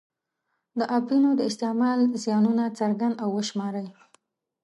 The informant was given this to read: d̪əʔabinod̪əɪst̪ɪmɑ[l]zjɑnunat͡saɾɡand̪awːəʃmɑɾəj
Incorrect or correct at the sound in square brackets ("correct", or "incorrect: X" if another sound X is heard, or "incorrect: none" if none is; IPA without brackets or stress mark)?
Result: correct